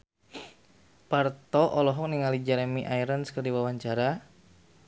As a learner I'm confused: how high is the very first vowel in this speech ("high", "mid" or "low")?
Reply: low